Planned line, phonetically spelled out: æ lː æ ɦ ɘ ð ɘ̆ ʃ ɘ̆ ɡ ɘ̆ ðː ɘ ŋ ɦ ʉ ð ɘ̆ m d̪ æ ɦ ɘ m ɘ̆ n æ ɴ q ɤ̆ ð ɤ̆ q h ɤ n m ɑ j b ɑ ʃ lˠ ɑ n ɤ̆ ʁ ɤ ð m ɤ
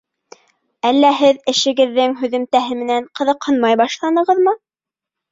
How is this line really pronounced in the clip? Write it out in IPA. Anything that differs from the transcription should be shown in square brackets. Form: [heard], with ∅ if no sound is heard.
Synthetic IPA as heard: æ lː æ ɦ ɘ ð ɘ̆ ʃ ɘ̆ ɡ ɘ̆ ðː ɘ ŋ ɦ ʉ ð ɘ̆ m [t̪] æ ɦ ɘ m ɘ̆ n æ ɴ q ɤ̆ ð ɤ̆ q h ɤ n m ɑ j b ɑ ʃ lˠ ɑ n ɤ̆ ʁ ɤ ð m ɤ